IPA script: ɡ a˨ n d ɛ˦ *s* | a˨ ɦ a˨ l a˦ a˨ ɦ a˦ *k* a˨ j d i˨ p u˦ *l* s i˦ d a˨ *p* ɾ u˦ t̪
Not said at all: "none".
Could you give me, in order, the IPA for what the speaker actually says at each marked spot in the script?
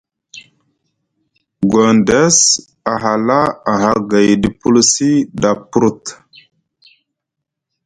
s, ɡ, l, p

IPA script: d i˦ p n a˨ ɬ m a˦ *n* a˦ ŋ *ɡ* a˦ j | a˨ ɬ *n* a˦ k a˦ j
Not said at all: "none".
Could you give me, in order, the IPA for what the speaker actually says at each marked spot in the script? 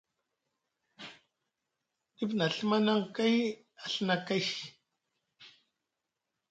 n, k, n

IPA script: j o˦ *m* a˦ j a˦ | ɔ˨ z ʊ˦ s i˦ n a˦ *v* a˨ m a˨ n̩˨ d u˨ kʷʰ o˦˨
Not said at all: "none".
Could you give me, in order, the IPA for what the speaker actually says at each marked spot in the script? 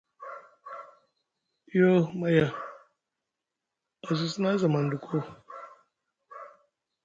m, z

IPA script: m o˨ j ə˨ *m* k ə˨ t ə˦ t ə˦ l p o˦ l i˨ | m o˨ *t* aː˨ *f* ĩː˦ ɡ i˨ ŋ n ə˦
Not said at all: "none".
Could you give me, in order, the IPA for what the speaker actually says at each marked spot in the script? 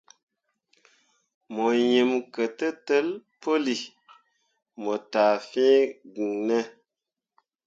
m, t, f

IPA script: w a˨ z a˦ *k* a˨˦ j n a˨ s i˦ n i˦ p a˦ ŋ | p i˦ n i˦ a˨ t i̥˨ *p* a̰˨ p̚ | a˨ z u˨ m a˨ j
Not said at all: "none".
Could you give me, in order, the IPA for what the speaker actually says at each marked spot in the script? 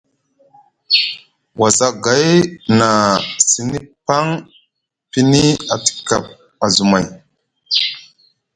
ɡ, k

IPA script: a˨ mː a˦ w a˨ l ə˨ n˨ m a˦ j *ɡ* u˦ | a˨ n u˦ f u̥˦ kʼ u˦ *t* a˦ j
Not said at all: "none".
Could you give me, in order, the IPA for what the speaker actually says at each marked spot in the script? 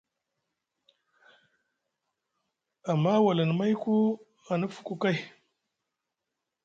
k, k

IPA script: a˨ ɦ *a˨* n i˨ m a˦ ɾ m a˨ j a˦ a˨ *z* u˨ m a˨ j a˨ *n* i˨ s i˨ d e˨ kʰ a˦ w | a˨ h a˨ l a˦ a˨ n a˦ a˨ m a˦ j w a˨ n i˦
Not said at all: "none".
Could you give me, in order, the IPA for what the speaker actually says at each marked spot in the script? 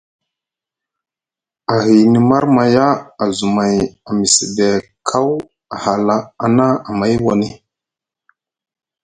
i˨, z, m

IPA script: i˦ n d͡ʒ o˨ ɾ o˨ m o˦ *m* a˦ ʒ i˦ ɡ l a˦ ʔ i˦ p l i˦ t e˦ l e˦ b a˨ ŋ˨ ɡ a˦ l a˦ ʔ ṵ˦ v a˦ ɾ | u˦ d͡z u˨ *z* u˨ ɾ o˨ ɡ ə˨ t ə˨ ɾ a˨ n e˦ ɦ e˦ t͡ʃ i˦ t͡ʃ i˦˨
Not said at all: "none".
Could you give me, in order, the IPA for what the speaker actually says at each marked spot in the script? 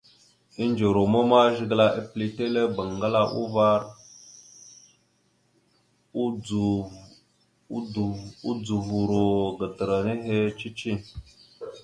m, v

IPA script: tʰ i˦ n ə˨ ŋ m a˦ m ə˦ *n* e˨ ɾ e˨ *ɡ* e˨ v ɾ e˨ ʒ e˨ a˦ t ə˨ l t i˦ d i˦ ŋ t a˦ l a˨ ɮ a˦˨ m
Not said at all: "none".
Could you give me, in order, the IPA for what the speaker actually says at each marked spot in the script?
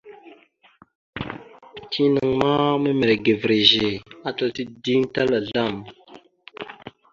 m, ɡ

